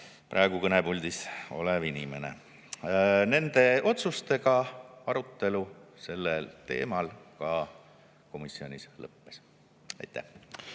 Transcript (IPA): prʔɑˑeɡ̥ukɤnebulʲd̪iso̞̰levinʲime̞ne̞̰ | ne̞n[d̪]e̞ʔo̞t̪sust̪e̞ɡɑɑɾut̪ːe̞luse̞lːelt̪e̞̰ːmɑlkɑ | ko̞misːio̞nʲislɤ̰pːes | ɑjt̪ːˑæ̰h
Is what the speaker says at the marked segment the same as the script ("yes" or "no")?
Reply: yes